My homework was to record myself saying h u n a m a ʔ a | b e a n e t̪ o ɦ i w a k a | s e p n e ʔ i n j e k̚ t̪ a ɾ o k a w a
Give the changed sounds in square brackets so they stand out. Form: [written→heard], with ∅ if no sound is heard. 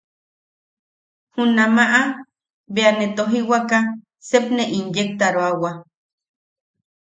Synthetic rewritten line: h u n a m a ʔ a | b e a n e t̪ o ɦ i w a k a | s e p n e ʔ i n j e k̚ t̪ a ɾ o [k→∅] a w a